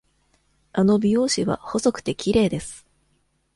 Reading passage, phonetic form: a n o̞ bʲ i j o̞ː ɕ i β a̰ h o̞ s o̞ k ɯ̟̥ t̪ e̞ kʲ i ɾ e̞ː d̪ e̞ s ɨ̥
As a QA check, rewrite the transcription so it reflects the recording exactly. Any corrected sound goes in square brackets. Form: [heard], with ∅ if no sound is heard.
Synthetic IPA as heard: a n o̞ bʲ i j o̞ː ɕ i β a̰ h o̞ s o̞ k ɯ̟̥ t̪ e̞ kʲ i ɾ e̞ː d̪ e̞ s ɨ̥